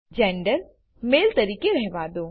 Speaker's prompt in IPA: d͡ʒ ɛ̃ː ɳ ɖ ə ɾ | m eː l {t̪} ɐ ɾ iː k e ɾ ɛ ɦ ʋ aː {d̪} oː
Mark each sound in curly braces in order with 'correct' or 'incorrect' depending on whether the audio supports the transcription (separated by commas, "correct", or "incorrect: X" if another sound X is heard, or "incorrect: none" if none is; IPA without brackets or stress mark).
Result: correct, correct